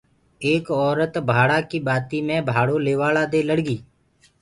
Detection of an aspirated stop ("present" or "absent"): absent